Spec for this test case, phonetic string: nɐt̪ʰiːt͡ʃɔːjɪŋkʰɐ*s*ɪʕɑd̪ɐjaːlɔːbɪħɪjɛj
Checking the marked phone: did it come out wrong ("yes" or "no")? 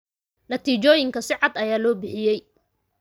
no